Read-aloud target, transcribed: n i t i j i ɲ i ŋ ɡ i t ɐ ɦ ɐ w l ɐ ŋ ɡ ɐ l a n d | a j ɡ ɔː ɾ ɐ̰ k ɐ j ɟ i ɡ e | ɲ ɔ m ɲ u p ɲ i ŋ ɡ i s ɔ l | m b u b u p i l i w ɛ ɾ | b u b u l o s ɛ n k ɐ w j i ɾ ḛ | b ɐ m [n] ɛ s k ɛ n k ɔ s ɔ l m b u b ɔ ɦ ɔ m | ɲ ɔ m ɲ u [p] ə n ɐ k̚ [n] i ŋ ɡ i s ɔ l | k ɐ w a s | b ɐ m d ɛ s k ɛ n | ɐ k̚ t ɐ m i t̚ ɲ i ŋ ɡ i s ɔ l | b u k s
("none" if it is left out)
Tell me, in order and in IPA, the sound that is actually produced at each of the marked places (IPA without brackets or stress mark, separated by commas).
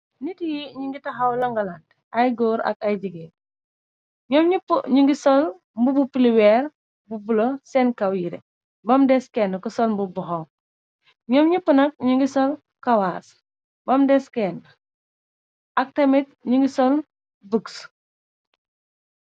d, p, ɲ